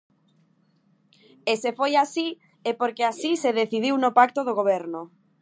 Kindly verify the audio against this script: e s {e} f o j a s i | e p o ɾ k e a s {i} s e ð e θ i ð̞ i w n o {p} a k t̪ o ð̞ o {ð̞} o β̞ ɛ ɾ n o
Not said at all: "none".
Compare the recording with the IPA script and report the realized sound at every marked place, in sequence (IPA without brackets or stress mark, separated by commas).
e, i, p, ɣ̞